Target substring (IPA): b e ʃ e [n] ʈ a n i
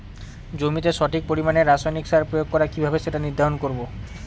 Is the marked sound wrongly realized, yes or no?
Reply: yes